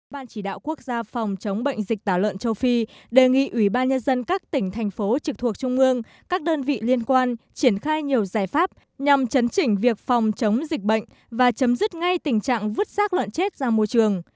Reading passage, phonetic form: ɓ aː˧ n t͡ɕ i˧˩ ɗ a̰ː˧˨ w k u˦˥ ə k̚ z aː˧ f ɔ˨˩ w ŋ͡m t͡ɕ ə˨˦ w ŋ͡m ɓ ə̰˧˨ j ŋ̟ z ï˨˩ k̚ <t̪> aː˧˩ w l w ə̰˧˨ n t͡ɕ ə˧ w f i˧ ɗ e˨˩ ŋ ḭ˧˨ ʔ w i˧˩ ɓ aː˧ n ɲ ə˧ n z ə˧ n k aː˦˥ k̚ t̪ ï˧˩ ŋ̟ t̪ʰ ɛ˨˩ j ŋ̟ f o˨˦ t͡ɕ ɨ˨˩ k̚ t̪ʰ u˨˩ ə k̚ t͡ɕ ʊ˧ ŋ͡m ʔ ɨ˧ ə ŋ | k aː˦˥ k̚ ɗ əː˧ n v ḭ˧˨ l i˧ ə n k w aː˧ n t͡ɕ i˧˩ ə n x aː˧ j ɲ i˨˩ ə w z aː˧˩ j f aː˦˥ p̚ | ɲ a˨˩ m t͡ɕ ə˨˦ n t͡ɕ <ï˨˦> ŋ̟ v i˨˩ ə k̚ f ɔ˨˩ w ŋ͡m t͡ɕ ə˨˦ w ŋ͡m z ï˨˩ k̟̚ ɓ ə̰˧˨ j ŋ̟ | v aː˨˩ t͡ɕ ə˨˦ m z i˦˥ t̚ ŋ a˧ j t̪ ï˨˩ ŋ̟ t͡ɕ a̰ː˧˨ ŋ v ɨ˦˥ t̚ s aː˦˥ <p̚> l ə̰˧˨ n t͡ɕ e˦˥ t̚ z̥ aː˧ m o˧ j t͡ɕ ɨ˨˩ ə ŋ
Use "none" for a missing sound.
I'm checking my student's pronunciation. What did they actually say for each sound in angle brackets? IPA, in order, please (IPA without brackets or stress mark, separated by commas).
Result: t̪, ï˧˩, k̚